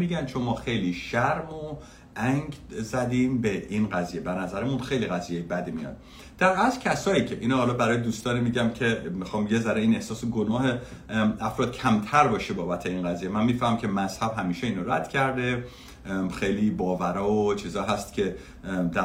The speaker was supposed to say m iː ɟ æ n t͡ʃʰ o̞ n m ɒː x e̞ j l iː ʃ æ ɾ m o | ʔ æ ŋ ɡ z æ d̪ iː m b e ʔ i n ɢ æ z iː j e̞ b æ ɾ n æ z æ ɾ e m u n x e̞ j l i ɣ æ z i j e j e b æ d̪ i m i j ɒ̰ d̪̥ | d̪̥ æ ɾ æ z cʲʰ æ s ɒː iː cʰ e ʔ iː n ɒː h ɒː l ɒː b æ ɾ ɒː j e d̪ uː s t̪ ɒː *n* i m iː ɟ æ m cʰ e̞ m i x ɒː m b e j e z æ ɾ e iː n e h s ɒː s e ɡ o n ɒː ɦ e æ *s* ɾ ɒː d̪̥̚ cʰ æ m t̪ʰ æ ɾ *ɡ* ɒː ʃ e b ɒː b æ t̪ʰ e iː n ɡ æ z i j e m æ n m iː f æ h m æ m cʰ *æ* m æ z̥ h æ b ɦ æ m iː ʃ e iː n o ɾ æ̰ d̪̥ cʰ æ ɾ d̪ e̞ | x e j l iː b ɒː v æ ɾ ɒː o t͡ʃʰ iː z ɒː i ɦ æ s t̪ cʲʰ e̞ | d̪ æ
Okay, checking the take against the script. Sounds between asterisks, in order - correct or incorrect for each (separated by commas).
correct, incorrect, incorrect, incorrect